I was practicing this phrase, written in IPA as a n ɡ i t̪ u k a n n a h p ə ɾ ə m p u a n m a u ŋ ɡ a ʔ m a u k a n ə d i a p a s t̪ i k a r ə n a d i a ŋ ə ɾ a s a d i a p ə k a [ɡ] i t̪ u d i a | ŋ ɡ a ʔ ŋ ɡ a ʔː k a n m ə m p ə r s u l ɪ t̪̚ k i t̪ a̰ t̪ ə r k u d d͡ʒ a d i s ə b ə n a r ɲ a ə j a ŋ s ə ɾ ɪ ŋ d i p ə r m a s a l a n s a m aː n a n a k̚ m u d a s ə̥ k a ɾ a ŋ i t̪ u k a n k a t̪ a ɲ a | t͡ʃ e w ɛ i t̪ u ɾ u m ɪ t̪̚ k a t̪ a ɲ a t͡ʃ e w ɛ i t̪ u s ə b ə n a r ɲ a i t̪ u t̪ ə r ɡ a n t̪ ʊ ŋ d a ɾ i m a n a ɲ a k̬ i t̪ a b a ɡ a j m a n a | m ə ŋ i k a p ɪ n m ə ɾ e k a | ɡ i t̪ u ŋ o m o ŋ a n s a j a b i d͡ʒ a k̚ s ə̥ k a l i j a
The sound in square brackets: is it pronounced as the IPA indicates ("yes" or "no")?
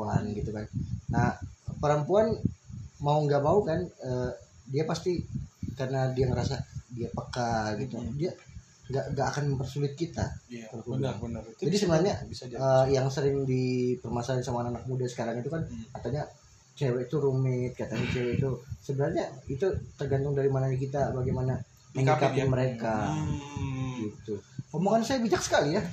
yes